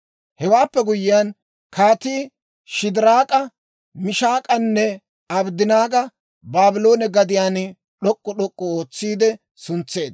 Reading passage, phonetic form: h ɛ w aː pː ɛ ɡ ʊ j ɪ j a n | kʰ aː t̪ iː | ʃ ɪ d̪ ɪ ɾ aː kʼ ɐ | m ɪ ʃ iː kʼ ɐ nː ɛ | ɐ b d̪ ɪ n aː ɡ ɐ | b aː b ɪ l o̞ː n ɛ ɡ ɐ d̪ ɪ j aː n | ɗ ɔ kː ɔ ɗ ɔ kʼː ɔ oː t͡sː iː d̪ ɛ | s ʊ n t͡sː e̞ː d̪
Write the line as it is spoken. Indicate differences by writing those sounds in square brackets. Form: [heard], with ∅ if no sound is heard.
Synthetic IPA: h ɛ w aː pː ɛ ɡ ʊ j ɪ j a n | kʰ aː t̪ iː | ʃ ɪ d̪ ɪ ɾ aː kʼ ɐ | m ɪ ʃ [aː] kʼ ɐ nː ɛ | ɐ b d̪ ɪ n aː ɡ ɐ | b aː b ɪ l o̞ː n ɛ ɡ ɐ d̪ ɪ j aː n | ɗ ɔ [kʼː] ɔ ɗ ɔ kʼː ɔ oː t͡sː iː d̪ ɛ | s ʊ n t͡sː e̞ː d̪